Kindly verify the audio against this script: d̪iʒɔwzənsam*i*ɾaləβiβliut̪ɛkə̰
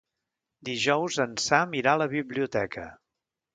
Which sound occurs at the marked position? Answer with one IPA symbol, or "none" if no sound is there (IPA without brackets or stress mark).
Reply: i